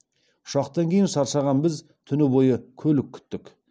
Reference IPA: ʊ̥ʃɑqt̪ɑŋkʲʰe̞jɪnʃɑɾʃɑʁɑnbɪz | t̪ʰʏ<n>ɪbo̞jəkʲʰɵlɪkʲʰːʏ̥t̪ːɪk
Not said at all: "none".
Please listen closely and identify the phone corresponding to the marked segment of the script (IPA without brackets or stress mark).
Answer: n